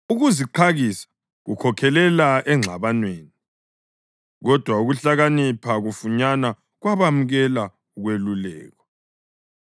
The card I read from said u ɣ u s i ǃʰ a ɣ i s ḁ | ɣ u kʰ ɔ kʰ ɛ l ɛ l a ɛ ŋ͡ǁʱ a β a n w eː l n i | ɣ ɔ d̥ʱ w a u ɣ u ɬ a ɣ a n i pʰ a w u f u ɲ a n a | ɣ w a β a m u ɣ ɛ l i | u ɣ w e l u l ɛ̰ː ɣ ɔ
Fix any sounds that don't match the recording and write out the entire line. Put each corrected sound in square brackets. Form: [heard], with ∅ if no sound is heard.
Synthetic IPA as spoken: u ɣ u [z] i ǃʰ a ɣ i s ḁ | ɣ u kʰ ɔ kʰ ɛ l ɛ l a ɛ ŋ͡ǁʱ a β a n w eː [∅] n i | ɣ ɔ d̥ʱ w a u ɣ u ɬ a ɣ a n i pʰ a [ɣ] u f u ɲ a n a | ɣ w a β a m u ɣ ɛ l [a] | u ɣ w e l u l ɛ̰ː ɣ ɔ